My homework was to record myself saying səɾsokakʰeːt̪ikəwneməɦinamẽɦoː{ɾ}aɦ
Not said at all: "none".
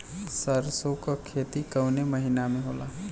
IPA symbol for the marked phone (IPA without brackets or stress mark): l